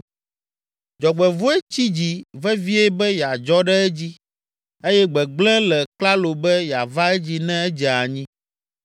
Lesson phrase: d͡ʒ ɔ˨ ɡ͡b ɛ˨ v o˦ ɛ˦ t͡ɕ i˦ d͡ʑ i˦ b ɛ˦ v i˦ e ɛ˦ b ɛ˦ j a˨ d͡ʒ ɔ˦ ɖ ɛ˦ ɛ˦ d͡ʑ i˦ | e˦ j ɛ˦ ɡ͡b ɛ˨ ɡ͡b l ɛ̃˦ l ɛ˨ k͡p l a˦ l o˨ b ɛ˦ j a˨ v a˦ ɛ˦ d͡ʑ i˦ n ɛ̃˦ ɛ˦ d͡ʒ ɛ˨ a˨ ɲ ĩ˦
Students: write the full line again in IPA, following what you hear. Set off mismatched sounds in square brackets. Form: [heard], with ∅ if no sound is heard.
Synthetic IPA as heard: d͡ʒ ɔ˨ ɡ͡b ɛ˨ v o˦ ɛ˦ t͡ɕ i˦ d͡ʑ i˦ [v] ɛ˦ v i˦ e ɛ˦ b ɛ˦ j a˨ d͡ʒ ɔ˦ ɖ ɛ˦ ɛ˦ d͡ʑ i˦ | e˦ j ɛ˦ ɡ͡b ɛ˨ ɡ͡b l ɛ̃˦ l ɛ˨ k͡p l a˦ l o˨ b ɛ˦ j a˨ v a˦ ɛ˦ d͡ʑ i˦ n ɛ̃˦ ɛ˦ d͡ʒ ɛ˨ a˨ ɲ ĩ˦